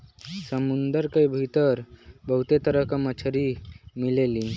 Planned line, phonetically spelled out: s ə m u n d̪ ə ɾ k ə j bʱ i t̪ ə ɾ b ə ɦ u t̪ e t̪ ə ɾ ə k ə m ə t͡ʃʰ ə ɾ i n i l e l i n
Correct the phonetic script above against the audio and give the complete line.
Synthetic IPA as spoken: s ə m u n d̪ ə ɾ k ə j bʱ i t̪ ə ɾ b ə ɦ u t̪ e t̪ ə ɾ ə k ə m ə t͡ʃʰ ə ɾ i m i l e l i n